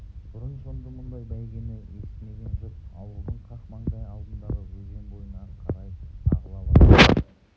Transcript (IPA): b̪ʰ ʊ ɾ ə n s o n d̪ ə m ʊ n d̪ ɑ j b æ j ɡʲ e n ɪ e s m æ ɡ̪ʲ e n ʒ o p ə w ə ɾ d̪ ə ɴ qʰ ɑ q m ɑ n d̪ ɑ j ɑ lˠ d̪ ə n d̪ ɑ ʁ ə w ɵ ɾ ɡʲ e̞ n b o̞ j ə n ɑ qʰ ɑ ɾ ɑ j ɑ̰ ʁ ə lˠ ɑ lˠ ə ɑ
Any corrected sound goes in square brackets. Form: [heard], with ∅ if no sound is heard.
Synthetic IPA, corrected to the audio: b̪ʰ ʊ ɾ ə n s o n d̪ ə m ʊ n d̪ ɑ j b æ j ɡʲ e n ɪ e s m [e] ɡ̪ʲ e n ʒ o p [ɑ] w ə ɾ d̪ ə ɴ qʰ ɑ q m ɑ [ɴ] d̪ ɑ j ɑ lˠ d̪ ə n d̪ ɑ ʁ ə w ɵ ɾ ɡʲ e̞ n b o̞ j ə n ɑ qʰ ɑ ɾ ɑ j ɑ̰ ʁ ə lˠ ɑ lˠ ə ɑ